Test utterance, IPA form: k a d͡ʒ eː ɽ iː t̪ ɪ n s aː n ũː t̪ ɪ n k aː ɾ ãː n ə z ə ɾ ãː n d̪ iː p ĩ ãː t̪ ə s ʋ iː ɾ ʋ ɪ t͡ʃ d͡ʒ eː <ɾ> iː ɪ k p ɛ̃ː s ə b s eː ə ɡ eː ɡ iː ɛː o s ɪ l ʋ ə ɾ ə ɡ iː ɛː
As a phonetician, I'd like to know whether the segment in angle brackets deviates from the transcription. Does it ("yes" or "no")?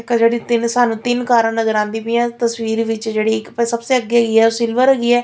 yes